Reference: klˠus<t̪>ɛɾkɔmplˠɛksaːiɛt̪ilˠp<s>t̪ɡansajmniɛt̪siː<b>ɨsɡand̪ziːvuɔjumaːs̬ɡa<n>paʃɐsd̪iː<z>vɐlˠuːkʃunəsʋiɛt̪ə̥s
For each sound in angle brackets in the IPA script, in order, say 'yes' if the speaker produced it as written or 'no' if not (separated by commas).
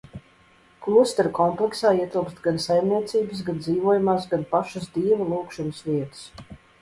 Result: yes, yes, yes, yes, no